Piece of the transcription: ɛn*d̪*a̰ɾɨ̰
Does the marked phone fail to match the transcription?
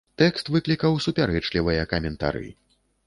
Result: yes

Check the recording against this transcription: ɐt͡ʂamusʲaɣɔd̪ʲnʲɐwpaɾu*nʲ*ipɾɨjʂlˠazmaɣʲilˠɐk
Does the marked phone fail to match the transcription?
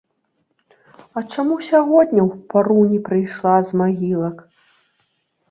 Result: no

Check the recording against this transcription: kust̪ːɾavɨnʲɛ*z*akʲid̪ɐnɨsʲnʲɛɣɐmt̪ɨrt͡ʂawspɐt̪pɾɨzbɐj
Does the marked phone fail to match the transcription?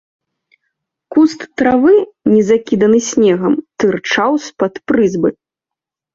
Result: no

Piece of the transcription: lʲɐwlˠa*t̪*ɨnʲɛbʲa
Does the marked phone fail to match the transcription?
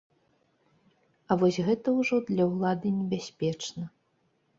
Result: yes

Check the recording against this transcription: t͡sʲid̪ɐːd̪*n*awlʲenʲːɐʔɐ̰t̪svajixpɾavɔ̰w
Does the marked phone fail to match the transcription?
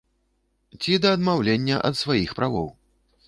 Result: yes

